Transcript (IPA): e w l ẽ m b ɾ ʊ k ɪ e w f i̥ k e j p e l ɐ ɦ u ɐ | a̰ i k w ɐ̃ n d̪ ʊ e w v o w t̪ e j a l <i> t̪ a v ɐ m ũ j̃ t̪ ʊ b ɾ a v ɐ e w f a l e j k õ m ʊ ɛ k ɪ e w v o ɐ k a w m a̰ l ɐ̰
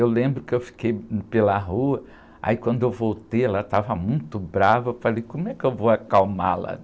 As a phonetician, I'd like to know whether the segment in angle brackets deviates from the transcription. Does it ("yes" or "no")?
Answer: yes